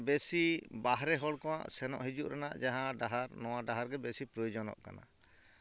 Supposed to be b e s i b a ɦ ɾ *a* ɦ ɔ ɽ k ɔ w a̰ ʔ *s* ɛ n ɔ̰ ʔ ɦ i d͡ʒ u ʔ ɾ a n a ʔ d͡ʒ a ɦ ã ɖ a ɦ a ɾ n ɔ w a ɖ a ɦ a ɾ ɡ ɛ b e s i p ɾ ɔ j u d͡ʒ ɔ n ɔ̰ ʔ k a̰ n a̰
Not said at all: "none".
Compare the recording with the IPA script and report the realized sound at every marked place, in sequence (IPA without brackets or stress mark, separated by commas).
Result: ɛ, s